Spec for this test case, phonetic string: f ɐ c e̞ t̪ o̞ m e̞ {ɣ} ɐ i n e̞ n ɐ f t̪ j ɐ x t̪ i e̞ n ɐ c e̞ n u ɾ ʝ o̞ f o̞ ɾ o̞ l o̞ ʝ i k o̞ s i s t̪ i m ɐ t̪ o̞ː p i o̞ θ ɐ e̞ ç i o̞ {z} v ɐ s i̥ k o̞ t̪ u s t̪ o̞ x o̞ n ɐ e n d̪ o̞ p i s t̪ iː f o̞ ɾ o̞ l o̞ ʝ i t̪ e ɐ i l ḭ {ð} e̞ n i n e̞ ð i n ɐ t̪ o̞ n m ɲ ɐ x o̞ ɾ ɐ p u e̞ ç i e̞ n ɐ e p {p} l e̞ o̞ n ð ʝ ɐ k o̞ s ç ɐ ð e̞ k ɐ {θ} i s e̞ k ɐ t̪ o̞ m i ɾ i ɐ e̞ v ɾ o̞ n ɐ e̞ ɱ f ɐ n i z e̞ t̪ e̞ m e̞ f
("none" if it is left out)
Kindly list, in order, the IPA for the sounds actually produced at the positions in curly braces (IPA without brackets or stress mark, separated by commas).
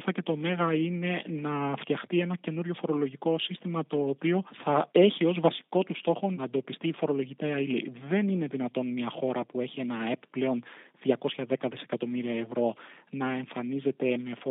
ɣ, z, ð, p, ð